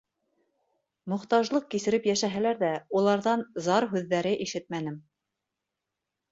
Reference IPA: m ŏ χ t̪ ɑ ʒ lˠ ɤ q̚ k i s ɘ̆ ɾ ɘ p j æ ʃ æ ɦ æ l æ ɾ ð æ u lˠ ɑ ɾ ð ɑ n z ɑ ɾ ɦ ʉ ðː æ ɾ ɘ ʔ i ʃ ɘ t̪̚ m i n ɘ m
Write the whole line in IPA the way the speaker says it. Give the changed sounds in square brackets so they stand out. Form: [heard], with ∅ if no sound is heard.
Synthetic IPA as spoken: m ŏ χ t̪ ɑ ʒ lˠ ɤ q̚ k i s ɘ̆ ɾ ɘ p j æ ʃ æ ɦ æ l æ ɾ ð æ u lˠ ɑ ɾ ð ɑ n z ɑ ɾ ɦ ʉ ðː æ ɾ ɘ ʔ i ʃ ɘ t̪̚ m [æ] n ɘ m